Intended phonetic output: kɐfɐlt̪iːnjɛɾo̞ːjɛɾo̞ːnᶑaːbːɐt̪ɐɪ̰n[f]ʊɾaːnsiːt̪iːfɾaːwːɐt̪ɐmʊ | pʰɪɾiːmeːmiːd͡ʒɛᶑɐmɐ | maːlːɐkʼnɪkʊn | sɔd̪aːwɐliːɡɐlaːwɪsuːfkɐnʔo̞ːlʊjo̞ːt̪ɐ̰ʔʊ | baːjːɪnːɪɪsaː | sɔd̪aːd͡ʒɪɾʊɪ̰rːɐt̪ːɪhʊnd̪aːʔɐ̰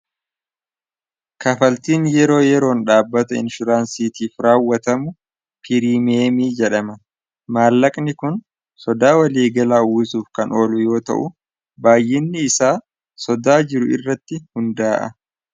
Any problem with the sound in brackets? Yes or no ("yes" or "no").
yes